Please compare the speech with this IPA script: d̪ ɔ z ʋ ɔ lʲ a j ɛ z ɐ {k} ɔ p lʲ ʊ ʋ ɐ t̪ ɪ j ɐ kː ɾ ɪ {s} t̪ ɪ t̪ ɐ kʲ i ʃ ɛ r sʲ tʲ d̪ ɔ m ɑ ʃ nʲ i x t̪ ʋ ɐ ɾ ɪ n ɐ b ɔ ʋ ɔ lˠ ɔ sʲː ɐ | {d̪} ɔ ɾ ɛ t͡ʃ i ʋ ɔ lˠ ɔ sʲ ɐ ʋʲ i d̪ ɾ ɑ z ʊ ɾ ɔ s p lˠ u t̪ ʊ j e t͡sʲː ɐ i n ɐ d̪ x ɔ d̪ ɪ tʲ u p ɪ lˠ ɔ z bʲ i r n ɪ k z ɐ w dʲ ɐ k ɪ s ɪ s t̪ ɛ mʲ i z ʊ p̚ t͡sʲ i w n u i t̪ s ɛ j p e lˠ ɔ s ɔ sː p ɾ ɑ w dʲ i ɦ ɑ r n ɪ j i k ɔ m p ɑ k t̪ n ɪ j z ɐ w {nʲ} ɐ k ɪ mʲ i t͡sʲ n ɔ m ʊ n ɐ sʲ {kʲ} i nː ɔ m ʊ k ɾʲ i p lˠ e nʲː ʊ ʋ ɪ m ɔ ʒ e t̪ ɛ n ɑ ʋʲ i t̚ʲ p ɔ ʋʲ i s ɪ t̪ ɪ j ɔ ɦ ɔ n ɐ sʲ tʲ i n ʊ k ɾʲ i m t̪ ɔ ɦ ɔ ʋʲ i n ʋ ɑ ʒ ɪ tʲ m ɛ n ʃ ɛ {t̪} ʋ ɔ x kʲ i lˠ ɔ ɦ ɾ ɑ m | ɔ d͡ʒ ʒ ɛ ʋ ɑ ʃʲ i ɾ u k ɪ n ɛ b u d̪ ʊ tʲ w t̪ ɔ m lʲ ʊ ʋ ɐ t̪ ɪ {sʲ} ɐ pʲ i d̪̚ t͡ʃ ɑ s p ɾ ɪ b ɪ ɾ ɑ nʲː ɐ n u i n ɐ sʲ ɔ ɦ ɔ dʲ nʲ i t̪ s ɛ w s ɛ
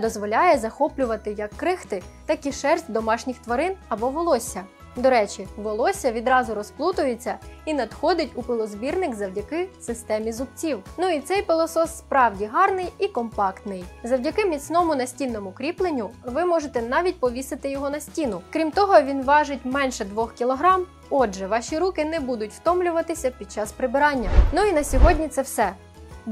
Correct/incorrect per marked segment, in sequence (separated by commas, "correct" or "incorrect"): incorrect, incorrect, correct, incorrect, incorrect, incorrect, correct